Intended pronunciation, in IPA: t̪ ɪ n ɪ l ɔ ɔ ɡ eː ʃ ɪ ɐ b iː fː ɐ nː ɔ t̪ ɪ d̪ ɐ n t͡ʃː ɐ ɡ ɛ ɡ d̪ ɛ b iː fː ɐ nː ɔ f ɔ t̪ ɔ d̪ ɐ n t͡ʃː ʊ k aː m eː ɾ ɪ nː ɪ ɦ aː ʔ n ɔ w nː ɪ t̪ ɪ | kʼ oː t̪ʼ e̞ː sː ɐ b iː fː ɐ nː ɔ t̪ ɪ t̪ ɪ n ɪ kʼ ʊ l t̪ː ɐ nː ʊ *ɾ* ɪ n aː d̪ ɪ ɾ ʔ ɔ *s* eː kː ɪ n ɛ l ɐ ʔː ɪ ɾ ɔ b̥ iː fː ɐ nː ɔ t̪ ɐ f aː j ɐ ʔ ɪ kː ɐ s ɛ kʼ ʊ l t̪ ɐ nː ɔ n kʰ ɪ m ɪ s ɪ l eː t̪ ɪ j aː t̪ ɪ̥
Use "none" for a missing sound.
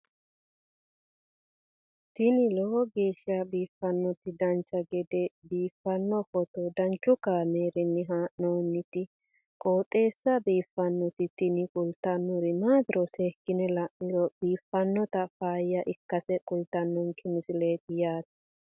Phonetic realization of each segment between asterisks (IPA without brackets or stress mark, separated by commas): ɾ, s